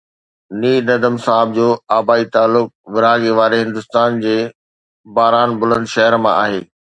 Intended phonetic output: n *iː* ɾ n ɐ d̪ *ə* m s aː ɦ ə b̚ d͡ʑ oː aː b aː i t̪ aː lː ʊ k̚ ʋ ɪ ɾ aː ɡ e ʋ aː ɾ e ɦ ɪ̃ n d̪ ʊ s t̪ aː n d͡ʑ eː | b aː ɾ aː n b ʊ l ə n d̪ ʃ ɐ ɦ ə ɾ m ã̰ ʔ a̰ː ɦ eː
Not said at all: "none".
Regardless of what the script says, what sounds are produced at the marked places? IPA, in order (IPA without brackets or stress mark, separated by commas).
iː, ə